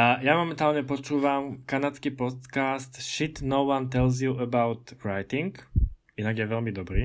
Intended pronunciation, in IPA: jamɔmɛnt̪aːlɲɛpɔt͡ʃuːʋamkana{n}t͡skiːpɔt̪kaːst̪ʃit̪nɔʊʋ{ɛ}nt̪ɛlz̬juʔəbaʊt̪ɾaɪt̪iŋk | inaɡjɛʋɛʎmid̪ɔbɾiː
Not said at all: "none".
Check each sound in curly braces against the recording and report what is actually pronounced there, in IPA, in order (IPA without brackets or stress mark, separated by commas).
none, a